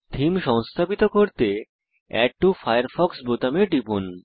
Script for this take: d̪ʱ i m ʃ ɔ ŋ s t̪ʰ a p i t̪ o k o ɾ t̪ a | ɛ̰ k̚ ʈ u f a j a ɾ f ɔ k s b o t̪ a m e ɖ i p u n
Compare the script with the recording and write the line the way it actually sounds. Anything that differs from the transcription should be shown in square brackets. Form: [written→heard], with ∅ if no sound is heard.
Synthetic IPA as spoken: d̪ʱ i m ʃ ɔ ŋ s t̪ʰ a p i t̪ o k o ɾ t̪ [a→e] | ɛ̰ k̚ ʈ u f a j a ɾ f ɔ k s b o t̪ a m e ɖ i p u n